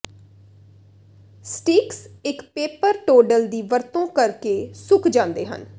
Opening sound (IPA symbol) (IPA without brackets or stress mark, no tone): s